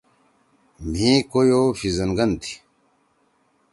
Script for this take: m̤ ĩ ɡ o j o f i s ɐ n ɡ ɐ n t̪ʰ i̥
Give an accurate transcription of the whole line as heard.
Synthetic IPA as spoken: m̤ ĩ k o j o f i z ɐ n ɡ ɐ n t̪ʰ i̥